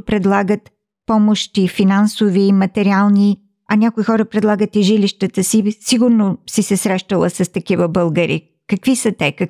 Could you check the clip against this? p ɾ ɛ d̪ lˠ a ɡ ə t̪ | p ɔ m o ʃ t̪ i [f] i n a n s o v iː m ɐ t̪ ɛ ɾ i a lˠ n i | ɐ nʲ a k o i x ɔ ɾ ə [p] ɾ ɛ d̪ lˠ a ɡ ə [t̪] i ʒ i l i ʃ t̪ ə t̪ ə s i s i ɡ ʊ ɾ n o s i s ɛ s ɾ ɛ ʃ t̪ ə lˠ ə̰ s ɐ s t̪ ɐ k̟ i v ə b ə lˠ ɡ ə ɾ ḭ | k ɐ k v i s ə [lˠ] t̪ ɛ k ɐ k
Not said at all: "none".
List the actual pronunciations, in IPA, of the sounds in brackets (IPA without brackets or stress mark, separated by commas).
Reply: f, p, t̪, none